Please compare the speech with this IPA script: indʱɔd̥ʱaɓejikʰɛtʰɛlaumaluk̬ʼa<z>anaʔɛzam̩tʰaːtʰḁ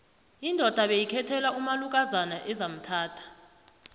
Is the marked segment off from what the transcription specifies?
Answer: no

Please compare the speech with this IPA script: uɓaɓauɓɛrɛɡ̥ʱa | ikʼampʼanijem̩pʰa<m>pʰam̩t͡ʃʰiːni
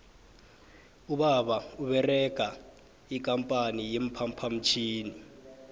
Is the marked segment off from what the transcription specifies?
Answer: no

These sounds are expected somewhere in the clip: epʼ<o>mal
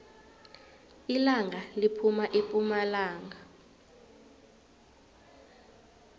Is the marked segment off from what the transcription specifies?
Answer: yes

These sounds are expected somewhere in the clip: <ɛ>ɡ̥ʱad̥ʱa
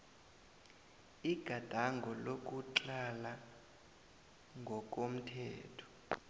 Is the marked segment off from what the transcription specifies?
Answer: yes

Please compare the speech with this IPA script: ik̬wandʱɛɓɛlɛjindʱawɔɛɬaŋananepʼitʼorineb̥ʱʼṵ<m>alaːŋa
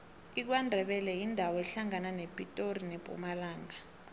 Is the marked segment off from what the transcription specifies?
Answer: no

